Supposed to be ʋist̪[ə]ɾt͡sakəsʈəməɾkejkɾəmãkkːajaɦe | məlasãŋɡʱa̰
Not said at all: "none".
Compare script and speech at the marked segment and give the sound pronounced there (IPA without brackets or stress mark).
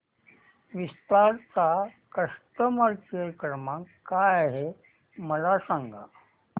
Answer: a